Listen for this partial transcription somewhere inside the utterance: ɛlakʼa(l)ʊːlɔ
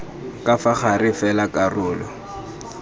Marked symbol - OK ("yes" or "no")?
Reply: no